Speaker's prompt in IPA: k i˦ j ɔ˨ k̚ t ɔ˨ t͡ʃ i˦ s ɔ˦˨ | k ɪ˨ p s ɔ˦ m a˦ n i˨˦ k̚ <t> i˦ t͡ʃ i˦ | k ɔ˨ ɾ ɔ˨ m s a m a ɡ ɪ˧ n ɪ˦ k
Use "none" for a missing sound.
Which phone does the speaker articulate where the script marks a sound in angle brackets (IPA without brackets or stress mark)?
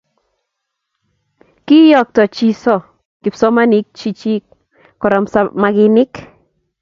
t͡ʃ